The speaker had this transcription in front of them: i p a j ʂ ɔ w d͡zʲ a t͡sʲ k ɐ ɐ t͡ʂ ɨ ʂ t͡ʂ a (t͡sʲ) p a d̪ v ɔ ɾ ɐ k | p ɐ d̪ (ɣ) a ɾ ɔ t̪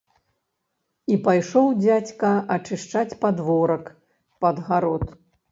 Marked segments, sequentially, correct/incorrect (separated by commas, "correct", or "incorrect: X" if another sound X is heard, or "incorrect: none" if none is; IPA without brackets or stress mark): correct, correct